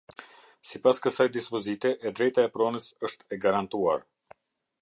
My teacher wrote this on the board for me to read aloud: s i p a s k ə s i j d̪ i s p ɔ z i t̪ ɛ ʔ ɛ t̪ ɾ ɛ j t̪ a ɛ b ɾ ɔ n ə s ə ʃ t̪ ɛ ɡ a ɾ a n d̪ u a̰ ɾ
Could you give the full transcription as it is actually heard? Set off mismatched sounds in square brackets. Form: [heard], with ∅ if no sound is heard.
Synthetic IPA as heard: s i p a s k ə s [a] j d̪ i s p ɔ z i t̪ ɛ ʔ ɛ [d̪] ɾ ɛ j t̪ a ɛ [p] ɾ ɔ n ə s ə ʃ t̪ ɛ ɡ a ɾ a n [t̪] u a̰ ɾ